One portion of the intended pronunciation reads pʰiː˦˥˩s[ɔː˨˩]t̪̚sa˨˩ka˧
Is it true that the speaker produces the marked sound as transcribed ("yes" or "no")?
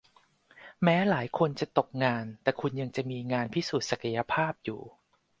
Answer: no